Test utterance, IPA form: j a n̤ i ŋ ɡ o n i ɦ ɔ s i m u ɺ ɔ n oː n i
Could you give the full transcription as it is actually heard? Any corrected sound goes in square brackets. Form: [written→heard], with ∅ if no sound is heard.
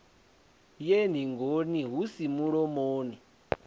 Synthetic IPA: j [a→e] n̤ i ŋ ɡ o n i ɦ [ɔ→u] s i m u ɺ ɔ [n→m] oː n i